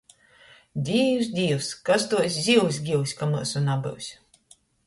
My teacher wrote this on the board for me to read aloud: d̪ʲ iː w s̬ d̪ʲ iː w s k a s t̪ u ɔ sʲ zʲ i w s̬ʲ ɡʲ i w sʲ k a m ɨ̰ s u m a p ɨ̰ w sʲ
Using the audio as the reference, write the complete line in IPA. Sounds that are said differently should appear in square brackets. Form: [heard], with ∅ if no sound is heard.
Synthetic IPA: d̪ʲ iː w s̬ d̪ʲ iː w s k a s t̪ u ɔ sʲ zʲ i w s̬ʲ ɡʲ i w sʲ k a m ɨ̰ s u [n] a [b] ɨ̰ w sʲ